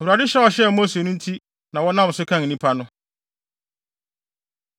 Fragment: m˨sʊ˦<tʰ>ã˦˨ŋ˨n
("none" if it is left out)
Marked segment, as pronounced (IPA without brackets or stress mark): kʰ